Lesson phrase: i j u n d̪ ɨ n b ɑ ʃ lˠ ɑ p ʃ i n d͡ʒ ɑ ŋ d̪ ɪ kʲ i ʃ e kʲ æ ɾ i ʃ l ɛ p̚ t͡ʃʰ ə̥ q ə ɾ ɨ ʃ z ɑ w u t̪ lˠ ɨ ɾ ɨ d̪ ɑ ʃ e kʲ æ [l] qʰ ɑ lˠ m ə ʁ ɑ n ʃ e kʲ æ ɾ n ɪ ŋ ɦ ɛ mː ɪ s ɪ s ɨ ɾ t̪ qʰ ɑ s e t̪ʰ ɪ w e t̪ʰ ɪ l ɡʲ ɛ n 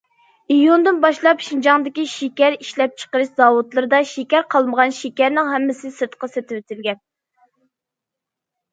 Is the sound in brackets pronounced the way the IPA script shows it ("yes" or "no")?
no